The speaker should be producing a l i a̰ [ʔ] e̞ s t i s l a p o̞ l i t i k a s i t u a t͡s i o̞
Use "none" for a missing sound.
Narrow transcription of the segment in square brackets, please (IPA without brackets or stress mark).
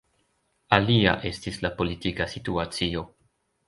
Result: ʔ